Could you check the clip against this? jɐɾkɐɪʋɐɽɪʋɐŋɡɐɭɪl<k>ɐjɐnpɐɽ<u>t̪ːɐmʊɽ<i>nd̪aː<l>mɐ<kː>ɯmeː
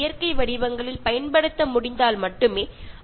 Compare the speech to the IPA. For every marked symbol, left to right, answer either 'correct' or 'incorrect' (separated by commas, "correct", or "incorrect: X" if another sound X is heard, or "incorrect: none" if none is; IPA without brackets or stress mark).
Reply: incorrect: p, incorrect: ɯ, incorrect: ɪ, correct, incorrect: ʈː